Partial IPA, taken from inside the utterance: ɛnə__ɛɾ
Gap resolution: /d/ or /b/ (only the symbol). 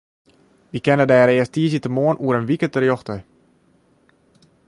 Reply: d